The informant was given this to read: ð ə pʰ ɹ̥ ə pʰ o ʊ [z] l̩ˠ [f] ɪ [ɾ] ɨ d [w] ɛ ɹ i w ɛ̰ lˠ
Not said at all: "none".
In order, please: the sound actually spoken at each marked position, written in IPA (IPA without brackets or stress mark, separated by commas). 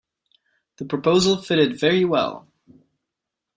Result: z, f, ɾ, v